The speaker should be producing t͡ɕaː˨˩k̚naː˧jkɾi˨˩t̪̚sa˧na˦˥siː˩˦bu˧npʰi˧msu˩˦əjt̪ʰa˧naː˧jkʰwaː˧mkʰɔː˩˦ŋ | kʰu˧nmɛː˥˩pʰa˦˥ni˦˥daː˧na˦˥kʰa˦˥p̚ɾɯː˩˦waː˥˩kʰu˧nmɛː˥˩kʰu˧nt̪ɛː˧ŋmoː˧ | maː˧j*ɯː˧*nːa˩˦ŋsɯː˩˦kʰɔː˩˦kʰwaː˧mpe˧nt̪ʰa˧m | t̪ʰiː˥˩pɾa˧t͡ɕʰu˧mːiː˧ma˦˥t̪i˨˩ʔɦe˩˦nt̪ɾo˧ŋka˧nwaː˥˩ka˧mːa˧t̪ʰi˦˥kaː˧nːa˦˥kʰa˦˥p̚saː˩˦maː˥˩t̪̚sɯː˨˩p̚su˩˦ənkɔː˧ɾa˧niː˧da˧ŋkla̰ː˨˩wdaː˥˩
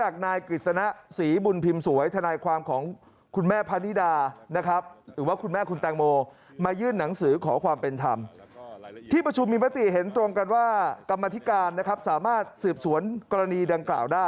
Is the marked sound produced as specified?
no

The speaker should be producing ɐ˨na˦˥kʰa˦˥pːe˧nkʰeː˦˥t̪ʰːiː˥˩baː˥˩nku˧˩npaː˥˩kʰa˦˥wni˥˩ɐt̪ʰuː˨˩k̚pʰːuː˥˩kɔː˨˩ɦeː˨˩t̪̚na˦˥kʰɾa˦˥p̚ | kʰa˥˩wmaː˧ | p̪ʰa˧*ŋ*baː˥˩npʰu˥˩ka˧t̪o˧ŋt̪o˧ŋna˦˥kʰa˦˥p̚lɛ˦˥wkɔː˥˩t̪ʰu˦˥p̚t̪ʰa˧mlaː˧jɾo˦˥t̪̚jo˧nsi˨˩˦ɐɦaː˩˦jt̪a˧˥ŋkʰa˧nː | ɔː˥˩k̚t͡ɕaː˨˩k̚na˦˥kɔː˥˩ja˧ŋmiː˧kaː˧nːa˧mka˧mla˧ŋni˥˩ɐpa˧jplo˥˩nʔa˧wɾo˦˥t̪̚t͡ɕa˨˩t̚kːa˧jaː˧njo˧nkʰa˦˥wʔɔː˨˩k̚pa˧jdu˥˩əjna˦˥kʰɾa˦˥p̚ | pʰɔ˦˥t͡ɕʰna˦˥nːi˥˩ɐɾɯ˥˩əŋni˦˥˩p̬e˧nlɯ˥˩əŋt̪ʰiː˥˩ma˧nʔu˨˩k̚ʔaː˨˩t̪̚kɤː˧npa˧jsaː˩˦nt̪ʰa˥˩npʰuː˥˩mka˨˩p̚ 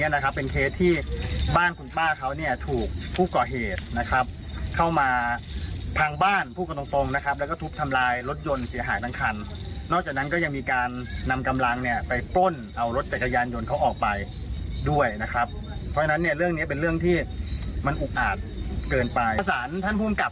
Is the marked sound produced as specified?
yes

